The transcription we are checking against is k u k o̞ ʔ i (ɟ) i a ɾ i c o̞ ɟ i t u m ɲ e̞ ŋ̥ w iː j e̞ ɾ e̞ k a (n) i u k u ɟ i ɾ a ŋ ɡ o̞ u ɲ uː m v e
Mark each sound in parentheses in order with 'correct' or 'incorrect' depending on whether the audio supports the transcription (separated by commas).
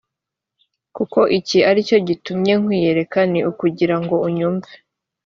incorrect, correct